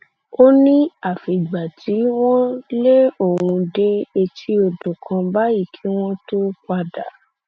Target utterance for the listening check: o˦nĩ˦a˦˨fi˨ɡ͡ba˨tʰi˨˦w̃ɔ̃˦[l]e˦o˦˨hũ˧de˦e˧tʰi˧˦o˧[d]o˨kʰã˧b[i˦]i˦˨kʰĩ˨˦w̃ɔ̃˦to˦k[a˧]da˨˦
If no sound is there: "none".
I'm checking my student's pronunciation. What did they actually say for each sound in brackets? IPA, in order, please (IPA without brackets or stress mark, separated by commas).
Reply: l, d, a˦, a˧